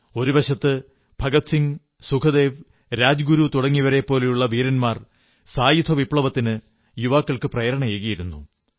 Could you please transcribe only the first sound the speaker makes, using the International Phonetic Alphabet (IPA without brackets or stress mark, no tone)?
o̞